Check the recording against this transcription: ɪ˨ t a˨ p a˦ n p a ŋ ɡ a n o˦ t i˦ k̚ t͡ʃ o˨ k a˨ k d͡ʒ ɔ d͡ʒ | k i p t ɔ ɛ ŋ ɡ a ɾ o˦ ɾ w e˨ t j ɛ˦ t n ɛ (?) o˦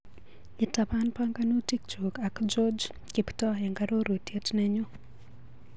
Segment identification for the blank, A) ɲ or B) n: A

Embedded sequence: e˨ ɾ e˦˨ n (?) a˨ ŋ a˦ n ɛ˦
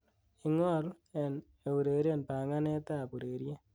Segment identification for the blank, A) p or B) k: A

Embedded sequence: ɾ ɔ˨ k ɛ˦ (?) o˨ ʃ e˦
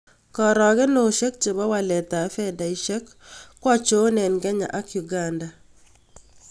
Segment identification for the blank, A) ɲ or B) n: B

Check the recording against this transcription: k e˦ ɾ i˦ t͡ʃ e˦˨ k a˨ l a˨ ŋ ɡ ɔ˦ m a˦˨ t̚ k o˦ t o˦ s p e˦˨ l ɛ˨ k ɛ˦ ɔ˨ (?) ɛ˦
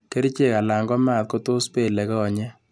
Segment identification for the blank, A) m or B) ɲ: B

